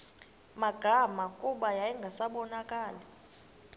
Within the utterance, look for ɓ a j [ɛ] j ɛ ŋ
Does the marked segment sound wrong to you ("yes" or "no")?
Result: yes